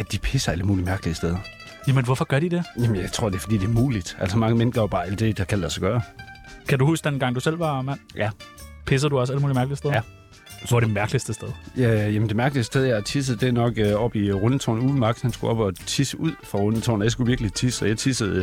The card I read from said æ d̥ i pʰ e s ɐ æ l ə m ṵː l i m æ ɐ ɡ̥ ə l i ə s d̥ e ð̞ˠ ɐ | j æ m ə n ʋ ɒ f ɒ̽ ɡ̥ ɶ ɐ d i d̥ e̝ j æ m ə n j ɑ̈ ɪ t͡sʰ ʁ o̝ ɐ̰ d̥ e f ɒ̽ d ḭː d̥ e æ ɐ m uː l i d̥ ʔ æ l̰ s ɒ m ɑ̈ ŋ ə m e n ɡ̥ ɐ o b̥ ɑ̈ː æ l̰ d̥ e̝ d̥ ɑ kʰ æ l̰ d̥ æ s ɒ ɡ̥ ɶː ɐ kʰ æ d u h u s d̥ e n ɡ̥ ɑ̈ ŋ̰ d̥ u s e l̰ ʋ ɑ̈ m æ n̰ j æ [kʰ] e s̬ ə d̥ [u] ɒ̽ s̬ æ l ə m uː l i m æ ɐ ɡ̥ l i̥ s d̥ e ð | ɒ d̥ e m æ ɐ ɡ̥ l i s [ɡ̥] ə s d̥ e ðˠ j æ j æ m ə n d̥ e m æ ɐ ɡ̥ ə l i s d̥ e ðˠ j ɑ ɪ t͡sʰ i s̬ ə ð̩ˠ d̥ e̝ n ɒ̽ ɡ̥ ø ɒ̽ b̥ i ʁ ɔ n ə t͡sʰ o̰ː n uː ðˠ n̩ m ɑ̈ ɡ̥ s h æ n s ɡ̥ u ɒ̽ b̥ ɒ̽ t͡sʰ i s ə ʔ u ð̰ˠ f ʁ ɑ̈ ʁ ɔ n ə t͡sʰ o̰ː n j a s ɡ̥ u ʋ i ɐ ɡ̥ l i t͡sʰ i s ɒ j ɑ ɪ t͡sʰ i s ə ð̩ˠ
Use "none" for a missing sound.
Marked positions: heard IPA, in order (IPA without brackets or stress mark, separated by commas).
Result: pʰ, u, d̥